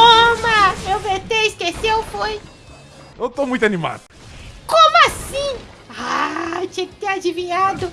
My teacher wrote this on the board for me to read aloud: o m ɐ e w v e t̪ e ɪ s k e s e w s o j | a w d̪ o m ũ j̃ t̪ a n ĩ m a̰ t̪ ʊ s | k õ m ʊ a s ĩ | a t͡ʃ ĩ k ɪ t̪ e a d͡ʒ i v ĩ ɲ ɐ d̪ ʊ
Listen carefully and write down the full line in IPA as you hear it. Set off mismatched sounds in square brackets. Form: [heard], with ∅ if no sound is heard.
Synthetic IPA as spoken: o m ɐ e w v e t̪ e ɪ s k e s e w [f] o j | [e] w [t̪] o m ũ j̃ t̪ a n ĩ m a̰ [d̪] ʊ [∅] | k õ m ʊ a s ĩ | a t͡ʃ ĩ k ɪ t̪ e a d͡ʒ i v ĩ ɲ [a] d̪ ʊ